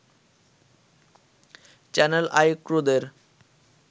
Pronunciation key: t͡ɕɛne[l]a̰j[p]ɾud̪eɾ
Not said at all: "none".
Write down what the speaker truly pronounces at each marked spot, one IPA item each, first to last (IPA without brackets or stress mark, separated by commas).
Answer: l, k